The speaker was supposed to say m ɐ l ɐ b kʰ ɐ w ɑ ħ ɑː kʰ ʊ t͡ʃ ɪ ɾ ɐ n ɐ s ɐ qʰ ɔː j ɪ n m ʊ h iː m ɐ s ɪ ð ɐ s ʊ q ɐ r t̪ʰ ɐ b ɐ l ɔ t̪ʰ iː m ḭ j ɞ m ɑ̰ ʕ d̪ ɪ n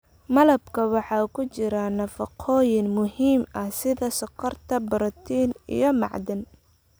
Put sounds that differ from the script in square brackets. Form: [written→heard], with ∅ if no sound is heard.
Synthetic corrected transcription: m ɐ l ɐ b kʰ ɐ w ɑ ħ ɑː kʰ ʊ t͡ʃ ɪ ɾ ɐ n ɐ [s→f] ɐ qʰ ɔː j ɪ n m ʊ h iː m ɐ s ɪ ð ɐ s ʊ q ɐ r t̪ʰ ɐ b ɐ [l→ɾ] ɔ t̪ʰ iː [m→n] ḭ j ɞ m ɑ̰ ʕ d̪ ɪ n